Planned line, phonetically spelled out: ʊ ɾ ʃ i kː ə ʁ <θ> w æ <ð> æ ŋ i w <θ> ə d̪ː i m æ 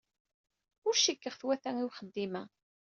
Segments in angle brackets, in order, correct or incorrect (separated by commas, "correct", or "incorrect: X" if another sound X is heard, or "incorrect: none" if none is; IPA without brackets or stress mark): correct, incorrect: θ, incorrect: χ